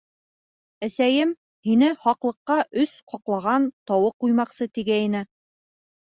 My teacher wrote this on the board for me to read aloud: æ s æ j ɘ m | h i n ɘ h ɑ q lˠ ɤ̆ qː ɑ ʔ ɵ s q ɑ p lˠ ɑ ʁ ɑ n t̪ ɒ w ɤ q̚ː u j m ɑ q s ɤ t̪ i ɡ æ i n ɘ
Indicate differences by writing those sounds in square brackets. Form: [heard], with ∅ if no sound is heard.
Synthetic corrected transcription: æ s æ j ɘ m | h i n ɘ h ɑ q lˠ ɤ̆ qː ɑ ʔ ɵ s q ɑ [q] lˠ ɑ ʁ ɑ n t̪ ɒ w ɤ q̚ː u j m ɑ q s ɤ t̪ i ɡ æ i n ɘ